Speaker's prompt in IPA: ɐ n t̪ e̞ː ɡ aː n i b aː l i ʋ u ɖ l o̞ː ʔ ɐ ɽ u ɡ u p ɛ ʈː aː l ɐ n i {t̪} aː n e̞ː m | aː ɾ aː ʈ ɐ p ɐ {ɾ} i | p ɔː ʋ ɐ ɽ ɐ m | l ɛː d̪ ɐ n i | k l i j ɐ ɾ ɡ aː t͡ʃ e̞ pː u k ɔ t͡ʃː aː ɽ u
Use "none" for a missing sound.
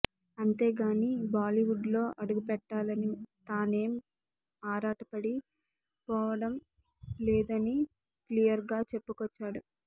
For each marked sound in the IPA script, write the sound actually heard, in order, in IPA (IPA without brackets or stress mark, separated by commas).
t̪, ɽ